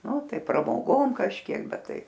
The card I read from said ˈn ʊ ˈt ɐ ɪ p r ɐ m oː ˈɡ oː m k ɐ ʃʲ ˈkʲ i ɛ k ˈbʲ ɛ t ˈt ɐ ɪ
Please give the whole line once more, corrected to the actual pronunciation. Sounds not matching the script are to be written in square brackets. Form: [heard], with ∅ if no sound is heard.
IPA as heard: ˈn ʊ ˈt ɐ ɪ p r ɐ m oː ˈɡ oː m k ɐ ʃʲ ˈkʲ i ɛ k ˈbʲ ɛ t ˈt ɐ ɪ

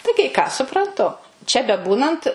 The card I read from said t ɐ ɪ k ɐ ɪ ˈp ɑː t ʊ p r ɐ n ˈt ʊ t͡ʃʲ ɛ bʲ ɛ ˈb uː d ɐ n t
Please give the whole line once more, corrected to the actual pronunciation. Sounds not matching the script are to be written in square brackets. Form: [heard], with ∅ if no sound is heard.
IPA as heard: t ɐ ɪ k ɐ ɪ [ˈk] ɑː [s] ʊ p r ɐ n ˈt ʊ t͡ʃʲ ɛ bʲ ɛ ˈb uː [n] ɐ n t

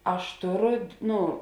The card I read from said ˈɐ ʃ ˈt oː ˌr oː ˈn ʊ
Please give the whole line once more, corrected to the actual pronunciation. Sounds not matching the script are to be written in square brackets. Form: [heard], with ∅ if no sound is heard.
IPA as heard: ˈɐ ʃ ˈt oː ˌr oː ˈn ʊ

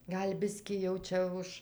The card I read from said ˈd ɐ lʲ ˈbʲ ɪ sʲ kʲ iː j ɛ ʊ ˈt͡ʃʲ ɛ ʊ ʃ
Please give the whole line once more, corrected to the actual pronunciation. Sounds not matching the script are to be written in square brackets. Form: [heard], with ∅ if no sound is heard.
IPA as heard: [ˈɡ] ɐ lʲ ˈbʲ ɪ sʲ kʲ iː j ɛ ʊ ˈt͡ʃʲ ɛ ʊ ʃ

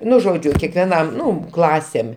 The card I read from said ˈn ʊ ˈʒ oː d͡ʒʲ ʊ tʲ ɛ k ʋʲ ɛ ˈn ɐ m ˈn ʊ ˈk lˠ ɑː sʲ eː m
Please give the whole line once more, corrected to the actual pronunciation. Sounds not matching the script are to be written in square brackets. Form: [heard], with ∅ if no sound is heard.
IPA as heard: ˈn ʊ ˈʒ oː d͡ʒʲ ʊ [kʲ] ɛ k ʋʲ ɛ ˈn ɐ m ˈn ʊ ˈk lˠ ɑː sʲ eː m

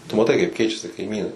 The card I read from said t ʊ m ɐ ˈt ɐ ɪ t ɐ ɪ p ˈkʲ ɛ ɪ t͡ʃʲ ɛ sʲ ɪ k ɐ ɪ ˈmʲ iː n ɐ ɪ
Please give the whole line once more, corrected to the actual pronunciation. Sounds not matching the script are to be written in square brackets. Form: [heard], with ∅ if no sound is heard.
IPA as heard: t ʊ m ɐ ˈt ɐ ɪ [k] ɐ ɪ p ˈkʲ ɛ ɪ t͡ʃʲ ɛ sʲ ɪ k ɐ ɪ ˈmʲ iː n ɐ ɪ

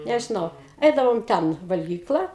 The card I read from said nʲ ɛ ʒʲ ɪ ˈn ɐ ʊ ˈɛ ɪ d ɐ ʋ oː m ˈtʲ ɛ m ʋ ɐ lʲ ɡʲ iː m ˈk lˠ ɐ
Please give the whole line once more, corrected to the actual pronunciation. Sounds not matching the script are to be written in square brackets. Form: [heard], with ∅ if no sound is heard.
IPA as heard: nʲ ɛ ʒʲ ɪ ˈn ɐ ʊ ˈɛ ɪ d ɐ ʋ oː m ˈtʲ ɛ [n] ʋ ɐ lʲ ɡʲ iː [∅] ˈk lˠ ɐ

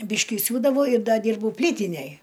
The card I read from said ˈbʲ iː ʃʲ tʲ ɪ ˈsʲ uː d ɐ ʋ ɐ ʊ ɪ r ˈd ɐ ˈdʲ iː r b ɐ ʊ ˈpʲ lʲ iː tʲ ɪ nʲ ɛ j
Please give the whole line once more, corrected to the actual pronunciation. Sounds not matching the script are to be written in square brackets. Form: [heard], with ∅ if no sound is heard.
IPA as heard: ˈbʲ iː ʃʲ [kʲ] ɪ ˈsʲ uː d ɐ ʋ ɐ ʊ ɪ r ˈd ɐ ˈdʲ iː r b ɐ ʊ ˈpʲ lʲ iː tʲ ɪ nʲ ɛ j

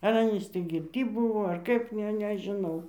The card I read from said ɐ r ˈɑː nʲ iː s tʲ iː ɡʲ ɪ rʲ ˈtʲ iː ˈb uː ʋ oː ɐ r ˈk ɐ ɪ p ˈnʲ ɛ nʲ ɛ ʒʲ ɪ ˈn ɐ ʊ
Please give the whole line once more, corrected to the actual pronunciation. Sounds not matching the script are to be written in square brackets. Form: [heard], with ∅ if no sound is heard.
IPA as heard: ɐ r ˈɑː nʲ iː s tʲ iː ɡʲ ɪ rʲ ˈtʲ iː ˈb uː ʋ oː ɐ r ˈk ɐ ɪ p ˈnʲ ɛ nʲ ɛ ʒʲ ɪ ˈn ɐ ʊ

